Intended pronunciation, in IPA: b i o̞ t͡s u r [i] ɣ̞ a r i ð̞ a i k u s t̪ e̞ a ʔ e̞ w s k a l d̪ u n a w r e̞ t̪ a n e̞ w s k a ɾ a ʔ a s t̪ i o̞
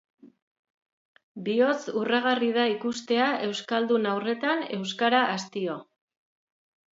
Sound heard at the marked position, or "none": a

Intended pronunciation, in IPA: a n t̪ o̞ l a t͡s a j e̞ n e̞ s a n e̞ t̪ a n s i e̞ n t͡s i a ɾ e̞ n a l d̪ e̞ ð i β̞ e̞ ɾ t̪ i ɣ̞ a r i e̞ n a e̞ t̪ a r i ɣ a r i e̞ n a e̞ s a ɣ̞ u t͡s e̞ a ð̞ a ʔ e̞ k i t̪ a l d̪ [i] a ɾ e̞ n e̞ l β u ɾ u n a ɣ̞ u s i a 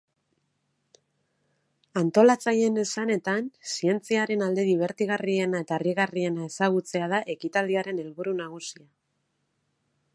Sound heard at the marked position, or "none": i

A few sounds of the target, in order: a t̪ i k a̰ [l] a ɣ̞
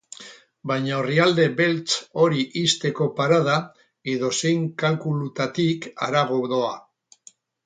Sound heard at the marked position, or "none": ɾ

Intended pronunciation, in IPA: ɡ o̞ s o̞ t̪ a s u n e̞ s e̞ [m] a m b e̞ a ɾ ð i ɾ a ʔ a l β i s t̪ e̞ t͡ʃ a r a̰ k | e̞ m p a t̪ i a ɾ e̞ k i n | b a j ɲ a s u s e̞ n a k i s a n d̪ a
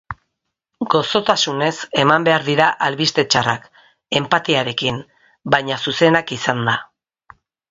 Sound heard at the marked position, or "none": m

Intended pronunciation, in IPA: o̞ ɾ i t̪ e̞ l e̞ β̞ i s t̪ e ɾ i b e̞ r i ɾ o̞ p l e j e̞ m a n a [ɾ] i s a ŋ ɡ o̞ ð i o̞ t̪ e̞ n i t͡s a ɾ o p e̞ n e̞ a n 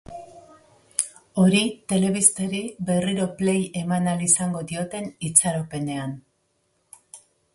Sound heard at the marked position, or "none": l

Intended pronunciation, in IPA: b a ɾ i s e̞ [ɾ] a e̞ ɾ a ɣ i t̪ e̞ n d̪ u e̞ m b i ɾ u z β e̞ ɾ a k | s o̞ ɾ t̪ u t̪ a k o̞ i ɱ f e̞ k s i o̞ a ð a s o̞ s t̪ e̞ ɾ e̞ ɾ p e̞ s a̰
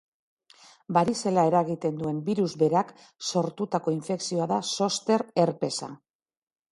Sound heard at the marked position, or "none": l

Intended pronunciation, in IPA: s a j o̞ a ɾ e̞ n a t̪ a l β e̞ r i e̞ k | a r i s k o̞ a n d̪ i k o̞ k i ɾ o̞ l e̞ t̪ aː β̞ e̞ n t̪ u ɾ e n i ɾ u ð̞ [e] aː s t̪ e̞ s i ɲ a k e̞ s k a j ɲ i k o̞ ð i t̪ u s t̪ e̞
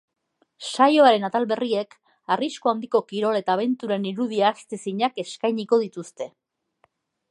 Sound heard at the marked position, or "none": i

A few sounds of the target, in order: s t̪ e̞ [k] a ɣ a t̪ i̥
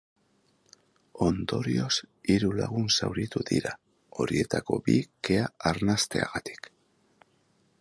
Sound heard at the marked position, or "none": none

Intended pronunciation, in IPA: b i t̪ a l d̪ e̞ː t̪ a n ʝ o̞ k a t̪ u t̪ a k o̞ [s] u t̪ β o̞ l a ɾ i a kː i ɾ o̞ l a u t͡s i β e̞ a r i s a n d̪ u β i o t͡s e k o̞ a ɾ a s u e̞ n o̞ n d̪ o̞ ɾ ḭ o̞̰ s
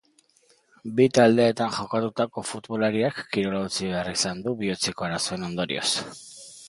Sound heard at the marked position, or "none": f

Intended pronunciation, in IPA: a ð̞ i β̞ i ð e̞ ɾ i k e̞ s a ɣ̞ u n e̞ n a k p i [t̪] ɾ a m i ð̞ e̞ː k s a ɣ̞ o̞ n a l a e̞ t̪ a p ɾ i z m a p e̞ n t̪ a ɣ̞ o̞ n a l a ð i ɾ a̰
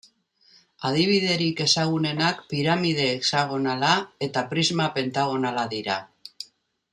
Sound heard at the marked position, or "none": none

